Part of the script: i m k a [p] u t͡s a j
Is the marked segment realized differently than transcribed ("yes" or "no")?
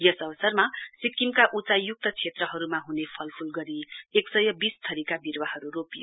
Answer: yes